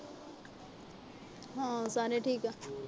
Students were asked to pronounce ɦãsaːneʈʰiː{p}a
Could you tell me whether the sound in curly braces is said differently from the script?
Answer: yes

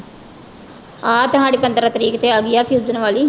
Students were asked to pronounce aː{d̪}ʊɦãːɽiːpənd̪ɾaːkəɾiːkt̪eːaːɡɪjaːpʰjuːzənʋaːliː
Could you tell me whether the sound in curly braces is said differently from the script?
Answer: yes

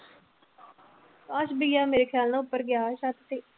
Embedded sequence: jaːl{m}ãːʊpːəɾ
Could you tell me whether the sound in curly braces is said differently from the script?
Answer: yes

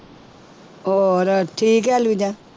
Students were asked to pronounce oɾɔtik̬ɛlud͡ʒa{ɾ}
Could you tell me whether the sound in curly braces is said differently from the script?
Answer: yes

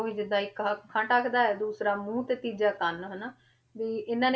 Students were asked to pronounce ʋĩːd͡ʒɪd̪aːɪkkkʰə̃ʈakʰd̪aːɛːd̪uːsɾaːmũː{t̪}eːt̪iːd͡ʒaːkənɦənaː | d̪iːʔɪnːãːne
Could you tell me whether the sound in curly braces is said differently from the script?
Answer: no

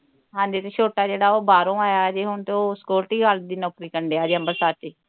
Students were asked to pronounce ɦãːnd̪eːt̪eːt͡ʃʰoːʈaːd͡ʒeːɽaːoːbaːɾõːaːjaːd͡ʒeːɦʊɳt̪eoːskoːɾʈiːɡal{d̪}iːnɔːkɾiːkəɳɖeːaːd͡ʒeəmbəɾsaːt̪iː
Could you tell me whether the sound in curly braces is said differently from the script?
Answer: no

